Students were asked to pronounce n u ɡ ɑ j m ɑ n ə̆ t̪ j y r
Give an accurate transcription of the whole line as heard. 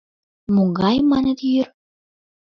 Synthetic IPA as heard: m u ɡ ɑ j m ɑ n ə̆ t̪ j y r